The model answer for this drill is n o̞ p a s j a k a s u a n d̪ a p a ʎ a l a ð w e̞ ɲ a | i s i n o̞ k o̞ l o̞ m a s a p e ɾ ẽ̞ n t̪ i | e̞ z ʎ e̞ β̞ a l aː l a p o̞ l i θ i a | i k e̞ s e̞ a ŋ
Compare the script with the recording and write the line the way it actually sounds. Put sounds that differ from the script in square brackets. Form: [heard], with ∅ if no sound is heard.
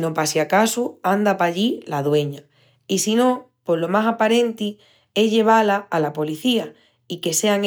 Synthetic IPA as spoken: n o̞ p a s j a k a s u a n d̪ a p a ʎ [i] l a ð w e̞ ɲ a | i s i n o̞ [p] o̞ l o̞ m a s a p [a] ɾ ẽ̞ n t̪ i | e̞ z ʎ e̞ β̞ a l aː l a p o̞ l i θ i a | i k e̞ s e̞ a ŋ